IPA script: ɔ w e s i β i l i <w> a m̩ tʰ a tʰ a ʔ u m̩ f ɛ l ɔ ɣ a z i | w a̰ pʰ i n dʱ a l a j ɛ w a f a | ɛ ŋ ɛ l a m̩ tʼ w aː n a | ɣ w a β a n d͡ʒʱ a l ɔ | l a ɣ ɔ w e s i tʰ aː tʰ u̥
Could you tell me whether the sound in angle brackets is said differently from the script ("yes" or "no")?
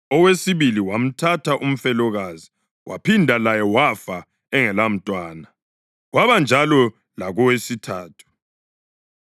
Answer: no